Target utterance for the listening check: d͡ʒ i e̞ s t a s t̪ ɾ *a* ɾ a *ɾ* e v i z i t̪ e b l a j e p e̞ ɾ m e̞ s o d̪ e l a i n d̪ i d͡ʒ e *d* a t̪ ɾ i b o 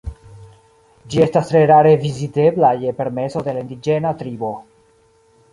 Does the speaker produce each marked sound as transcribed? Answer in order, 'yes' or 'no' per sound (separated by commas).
no, yes, no